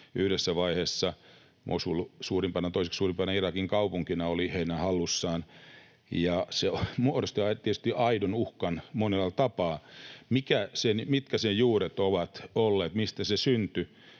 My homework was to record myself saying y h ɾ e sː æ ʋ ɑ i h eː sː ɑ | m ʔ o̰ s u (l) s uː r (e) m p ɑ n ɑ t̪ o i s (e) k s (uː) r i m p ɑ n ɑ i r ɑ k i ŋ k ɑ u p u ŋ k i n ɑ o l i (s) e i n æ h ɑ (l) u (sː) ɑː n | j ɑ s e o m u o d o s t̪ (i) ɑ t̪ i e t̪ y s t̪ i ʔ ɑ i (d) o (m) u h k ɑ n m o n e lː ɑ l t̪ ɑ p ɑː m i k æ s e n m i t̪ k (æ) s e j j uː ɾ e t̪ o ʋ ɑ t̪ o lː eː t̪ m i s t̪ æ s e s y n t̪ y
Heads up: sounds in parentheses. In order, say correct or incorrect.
correct, incorrect, correct, correct, incorrect, incorrect, correct, correct, correct, incorrect, correct

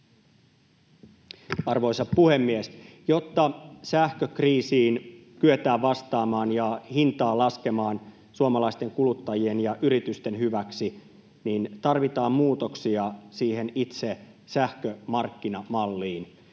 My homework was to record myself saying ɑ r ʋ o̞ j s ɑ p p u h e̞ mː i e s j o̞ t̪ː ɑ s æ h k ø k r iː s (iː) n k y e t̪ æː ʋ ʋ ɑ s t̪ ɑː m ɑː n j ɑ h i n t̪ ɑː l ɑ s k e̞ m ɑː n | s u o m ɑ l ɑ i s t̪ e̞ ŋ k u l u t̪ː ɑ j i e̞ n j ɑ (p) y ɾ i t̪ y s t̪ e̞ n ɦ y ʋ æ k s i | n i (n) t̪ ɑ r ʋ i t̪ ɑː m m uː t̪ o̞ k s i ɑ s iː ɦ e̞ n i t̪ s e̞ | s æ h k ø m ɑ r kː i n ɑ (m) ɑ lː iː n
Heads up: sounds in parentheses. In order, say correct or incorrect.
correct, incorrect, correct, correct

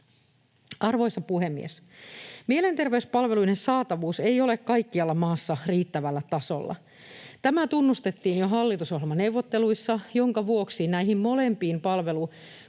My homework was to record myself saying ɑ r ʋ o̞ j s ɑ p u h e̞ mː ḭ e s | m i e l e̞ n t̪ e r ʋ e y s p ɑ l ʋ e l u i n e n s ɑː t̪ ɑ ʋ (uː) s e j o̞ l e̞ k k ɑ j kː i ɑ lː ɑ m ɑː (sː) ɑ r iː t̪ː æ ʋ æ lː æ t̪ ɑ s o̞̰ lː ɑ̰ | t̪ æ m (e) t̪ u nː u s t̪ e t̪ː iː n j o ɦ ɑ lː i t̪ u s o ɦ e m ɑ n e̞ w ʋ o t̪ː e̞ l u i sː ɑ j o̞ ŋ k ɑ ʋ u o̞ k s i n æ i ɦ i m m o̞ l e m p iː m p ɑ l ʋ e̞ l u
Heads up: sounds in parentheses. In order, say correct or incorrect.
correct, correct, incorrect

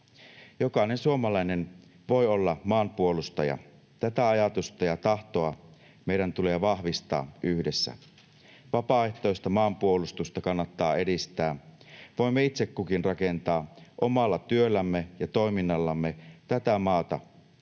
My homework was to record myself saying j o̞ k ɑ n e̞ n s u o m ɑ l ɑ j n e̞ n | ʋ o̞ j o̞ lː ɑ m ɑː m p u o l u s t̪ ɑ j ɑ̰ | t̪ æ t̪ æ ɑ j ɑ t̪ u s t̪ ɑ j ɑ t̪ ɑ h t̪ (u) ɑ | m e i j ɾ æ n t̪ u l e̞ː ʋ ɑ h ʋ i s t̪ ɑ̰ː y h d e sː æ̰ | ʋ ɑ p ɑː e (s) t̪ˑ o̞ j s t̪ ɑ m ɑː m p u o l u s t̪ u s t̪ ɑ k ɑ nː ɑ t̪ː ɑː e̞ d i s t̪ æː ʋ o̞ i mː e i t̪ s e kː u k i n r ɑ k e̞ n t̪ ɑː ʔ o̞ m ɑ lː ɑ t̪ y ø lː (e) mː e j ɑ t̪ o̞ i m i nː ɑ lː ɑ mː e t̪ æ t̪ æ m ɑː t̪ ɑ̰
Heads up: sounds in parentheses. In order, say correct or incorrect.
incorrect, incorrect, incorrect

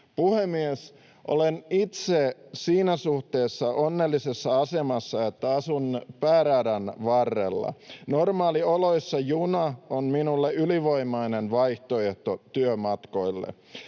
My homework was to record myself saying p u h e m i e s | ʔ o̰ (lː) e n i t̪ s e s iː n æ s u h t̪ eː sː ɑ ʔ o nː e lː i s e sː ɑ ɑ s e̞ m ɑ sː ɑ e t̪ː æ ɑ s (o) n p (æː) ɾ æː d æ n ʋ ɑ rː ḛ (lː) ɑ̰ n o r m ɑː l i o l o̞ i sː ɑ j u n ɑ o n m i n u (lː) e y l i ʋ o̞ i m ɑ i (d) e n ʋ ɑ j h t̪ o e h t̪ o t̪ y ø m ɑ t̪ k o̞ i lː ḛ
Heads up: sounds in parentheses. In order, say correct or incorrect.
incorrect, incorrect, correct, correct, correct, incorrect

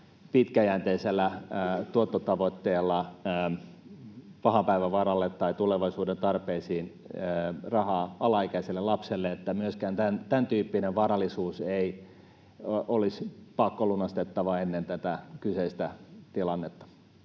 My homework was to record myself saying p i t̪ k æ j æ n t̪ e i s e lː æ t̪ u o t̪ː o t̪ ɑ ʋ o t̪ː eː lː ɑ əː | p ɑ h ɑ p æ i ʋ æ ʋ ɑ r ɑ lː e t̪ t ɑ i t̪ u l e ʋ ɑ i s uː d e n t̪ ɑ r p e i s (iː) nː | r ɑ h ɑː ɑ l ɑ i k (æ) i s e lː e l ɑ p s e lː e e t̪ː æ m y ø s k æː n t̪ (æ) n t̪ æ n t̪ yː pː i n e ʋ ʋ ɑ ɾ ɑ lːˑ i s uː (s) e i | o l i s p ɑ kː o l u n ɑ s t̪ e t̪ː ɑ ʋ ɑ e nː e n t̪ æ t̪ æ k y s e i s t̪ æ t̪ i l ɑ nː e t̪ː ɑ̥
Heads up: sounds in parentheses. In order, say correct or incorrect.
correct, correct, correct, correct

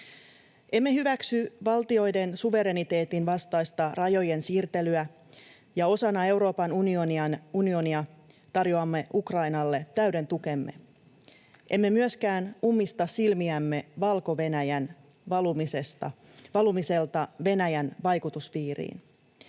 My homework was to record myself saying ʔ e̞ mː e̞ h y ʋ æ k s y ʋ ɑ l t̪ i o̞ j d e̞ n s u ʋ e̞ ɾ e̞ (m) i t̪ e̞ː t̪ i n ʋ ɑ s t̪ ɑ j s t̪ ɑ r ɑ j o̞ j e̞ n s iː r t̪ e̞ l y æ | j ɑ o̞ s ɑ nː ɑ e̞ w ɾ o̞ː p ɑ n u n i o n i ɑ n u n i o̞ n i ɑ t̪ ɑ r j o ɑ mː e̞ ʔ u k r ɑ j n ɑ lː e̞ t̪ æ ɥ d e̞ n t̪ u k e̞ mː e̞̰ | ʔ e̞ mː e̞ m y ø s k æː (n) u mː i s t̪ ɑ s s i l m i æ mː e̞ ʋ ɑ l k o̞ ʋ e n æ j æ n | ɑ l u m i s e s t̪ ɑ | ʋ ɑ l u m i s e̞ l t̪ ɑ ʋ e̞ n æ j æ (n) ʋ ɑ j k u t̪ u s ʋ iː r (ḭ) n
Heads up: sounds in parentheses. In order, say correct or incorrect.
incorrect, correct, correct, incorrect

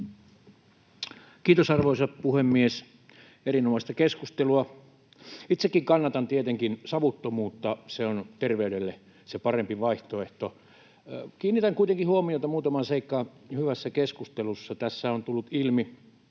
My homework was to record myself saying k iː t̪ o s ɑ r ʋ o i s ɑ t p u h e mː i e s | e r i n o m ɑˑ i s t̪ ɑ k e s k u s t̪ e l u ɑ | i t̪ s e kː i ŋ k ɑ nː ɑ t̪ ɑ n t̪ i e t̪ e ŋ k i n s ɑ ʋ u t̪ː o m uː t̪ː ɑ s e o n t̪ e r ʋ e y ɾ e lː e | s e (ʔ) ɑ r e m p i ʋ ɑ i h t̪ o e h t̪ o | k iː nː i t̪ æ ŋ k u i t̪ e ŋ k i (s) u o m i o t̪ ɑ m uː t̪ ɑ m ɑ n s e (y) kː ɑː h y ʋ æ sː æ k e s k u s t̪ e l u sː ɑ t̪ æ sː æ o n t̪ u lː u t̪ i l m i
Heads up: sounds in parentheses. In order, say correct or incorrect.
incorrect, incorrect, incorrect

